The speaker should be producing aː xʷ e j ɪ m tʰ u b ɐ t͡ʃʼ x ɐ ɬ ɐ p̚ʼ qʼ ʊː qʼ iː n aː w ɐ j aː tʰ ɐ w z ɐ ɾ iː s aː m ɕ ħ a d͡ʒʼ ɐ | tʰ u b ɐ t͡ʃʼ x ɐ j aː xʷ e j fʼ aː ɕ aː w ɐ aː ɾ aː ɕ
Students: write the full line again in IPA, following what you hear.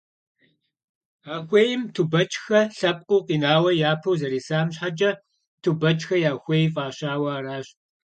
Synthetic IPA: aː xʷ e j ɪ m tʰ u b ɐ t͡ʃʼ x ɐ ɬ ɐ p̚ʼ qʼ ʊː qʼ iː n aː w ɐ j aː pʰ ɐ w z ɐ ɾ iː s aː m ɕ ħ a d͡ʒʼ ɐ | tʰ u b ɐ t͡ʃʼ x ɐ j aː xʷ e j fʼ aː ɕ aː w ɐ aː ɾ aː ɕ

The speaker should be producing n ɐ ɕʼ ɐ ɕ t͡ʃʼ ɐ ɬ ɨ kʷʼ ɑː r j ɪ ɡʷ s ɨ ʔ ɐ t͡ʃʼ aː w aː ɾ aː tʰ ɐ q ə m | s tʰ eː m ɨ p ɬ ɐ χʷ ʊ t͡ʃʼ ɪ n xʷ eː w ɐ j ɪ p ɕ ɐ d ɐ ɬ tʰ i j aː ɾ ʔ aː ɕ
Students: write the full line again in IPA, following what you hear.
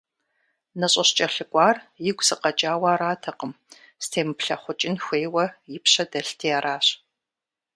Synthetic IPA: n ɐ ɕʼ ɐ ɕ t͡ʃʼ ɐ ɬ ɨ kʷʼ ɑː r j ɪ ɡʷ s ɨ q ɐ t͡ʃʼ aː w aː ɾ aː tʰ ɐ q ə m | s tʰ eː m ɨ p ɬ ɐ χʷ ʊ t͡ʃʼ ɪ n xʷ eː w ɐ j ɪ p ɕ ɐ d ɐ ɬ tʰ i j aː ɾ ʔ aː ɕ

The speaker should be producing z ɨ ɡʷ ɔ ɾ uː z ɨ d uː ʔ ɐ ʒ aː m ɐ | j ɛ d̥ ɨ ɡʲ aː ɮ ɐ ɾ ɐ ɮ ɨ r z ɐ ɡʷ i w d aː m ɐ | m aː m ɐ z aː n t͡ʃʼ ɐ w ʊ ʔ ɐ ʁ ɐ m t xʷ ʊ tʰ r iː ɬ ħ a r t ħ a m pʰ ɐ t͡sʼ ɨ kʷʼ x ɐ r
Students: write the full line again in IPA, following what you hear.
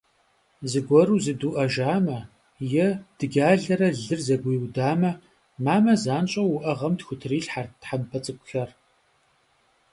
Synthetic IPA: z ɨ ɡʷ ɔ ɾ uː z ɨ d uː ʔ ɐ ʒ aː m ɐ | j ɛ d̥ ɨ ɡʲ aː ɮ ɐ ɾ ɐ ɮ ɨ r z ɐ ɡʷ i w d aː m ɐ | m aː m ɐ z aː n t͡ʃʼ ɐ w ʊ ʔ ɐ ʁ ɐ m t xʷ ʊ tʰ r iː ɬ ħ a r t ħ a m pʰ ɐ t͡sʼ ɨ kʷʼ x ɐ r

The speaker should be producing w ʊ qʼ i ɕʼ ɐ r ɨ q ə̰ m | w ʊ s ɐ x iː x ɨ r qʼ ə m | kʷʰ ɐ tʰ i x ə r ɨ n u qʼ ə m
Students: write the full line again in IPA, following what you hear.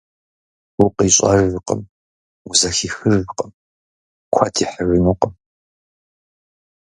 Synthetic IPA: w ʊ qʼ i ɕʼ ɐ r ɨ q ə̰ m | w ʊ z ɐ x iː x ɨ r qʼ ə m | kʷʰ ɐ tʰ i ħ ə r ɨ n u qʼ ə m

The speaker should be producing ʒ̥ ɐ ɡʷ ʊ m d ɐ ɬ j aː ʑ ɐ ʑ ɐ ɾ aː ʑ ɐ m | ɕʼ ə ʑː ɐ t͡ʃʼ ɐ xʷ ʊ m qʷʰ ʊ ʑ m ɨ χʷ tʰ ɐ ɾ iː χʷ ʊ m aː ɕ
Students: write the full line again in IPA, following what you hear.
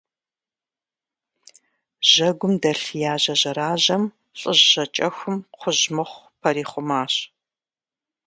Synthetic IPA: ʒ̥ ɐ ɡʷ ʊ m d ɐ ɬ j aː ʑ ɐ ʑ ɐ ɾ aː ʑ ɐ m | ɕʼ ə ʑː ɐ t͡ʃʼ ɐ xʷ ʊ m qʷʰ ʊ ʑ m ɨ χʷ pʰ ɐ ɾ iː χʷ ʊ m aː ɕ

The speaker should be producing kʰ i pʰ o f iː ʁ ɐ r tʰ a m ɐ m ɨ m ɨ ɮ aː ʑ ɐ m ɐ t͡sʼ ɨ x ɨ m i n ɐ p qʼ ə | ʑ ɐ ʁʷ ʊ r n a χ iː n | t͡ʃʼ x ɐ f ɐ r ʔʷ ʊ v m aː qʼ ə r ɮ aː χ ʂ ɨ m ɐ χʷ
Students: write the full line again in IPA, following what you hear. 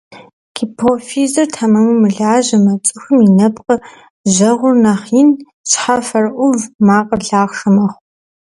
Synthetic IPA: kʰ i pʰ o f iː z ɐ r tʰ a m ɐ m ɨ m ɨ ɮ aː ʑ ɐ m ɐ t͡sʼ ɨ x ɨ m i n ɐ p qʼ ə | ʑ ɐ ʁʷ ʊ r n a χ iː n | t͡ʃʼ ħ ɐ f ɐ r ʔʷ ʊ v m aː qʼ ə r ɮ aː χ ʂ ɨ m ɐ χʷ

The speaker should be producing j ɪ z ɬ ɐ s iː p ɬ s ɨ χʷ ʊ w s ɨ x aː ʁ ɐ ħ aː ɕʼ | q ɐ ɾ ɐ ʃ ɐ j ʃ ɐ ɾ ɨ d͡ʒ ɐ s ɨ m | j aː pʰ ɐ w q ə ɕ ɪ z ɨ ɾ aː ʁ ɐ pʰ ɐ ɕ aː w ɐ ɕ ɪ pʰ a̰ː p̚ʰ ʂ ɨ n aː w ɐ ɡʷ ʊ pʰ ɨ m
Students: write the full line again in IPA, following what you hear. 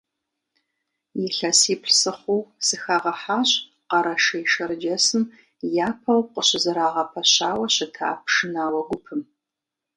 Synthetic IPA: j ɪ ɬ ɐ s iː p ɬ s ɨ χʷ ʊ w s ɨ x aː ʁ ɐ ħ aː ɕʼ | q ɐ ɾ ɐ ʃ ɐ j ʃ ɐ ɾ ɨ d͡ʒ ɐ s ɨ m | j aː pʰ ɐ w q ə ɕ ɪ z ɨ ɾ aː ʁ ɐ pʰ ɐ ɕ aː w ɐ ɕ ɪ tʰ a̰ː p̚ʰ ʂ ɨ n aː w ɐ ɡʷ ʊ pʰ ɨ m

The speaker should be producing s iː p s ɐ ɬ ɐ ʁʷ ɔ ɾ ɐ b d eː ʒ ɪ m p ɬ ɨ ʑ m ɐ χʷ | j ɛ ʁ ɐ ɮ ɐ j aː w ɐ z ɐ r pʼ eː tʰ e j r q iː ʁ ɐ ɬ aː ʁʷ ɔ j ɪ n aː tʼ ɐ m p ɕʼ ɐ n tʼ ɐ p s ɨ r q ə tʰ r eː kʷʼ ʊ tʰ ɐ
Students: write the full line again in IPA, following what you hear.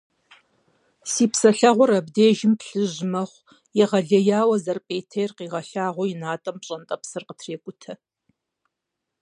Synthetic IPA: s iː p s ɐ ɬ ɐ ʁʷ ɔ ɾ ɐ b d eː ʒ ɪ m p ɬ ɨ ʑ m ɐ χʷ | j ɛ ʁ ɐ ɮ ɐ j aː w ɐ z ɐ r pʼ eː tʰ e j r q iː ʁ ɐ ɬ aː ʁʷ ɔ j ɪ n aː tʼ ɐ m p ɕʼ ɐ n tʼ ɐ p s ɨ r q ə tʰ r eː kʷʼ ʊ tʰ ɐ

